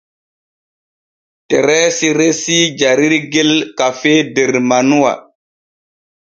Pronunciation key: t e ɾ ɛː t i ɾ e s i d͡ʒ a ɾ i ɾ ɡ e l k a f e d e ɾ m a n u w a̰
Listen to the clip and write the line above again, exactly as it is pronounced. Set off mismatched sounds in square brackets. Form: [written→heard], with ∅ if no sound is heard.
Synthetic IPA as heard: t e ɾ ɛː [t→s] i ɾ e s i d͡ʒ a ɾ i ɾ ɡ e l k a f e d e ɾ m a n u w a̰